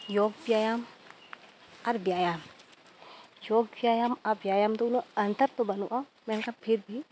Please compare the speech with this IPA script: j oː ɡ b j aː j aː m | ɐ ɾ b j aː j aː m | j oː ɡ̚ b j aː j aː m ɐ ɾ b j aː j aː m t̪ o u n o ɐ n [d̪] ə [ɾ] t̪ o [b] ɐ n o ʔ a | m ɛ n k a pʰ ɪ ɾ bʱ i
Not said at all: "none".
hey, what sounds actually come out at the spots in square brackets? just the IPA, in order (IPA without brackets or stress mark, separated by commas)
t̪, ɾ, b